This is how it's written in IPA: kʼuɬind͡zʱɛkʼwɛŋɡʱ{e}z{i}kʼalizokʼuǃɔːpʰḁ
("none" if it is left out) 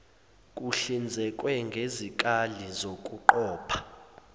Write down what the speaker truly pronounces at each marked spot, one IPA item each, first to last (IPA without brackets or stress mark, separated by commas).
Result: e, i